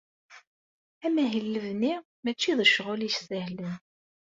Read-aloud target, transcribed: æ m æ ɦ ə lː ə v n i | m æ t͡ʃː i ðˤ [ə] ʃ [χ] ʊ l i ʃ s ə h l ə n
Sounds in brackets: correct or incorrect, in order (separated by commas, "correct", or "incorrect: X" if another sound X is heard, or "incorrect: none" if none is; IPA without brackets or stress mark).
correct, incorrect: ʁ